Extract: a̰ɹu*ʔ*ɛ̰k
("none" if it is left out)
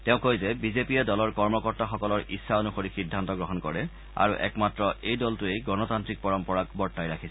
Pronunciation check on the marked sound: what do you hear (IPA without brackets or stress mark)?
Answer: ʔ